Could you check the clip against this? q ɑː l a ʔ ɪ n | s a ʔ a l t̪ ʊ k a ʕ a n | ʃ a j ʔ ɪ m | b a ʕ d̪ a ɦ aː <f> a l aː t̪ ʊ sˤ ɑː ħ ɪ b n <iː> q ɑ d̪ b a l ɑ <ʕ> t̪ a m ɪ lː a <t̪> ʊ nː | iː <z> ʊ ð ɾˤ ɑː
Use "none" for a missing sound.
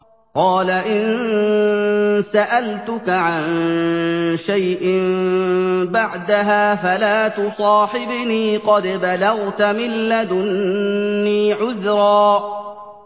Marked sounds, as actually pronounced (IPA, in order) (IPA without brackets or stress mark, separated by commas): f, iː, ɣ, d̪, ʕ